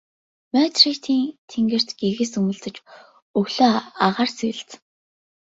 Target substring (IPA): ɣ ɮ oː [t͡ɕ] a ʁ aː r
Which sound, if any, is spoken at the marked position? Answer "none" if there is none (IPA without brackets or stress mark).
none